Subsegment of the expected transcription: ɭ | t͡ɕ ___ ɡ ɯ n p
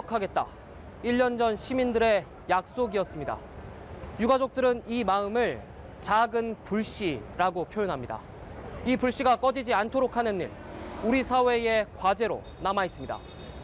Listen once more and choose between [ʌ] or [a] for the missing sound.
a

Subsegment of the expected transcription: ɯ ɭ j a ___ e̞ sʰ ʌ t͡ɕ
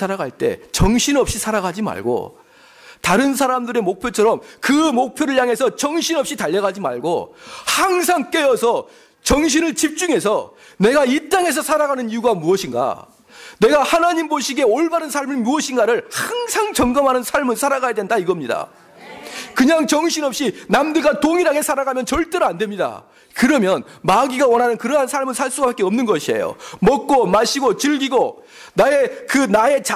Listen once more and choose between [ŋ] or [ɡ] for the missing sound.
ŋ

